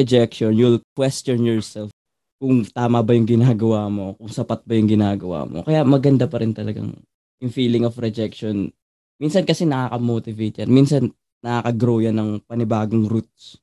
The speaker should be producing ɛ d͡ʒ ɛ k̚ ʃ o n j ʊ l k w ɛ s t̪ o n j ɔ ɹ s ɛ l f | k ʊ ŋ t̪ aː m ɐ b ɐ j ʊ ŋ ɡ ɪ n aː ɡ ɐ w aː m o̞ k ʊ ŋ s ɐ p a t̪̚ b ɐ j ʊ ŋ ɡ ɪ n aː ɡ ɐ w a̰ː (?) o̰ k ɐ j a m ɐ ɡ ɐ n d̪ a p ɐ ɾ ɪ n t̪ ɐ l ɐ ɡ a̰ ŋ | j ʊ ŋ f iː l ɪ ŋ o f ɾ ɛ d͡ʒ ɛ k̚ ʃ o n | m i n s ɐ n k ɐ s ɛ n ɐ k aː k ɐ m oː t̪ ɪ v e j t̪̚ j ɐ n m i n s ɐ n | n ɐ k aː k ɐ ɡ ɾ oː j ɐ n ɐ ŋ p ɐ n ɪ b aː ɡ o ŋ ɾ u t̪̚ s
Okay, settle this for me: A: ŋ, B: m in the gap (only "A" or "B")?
B